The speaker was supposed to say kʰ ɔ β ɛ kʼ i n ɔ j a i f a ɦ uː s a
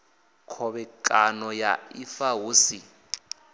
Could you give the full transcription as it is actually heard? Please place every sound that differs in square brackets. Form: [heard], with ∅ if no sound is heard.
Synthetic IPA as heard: kʰ ɔ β ɛ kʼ [a] n ɔ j a i f a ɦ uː s [i]